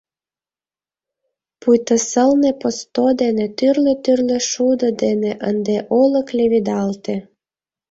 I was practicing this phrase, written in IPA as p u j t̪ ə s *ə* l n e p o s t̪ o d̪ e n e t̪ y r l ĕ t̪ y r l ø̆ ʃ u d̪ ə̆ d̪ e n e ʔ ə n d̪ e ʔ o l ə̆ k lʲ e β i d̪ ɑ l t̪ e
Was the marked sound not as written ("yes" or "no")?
no